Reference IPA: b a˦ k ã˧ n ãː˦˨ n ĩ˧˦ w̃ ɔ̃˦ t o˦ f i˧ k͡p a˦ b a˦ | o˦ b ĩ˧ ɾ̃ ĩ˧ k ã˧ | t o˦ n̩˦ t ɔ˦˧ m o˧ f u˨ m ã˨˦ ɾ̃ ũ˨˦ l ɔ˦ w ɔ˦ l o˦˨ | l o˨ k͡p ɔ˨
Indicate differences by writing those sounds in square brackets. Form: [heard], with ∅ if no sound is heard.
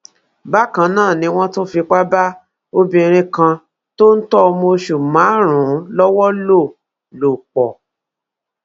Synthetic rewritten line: b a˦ k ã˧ n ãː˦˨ n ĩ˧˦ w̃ ɔ̃˦ t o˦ f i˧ k͡p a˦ b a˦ | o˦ b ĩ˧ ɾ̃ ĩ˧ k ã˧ | t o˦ n̩˦ t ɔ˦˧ m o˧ [ʃ] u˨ m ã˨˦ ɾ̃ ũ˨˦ l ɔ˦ w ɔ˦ l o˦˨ | l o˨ k͡p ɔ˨